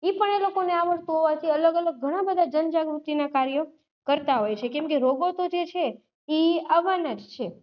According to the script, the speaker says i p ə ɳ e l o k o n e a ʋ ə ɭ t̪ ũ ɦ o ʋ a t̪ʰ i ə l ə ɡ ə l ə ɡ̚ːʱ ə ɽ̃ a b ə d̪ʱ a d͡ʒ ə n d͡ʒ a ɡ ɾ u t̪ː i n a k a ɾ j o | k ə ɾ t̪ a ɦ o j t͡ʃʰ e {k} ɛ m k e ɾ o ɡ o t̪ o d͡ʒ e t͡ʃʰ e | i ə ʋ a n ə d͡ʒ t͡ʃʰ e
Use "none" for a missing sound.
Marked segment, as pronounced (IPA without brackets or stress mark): k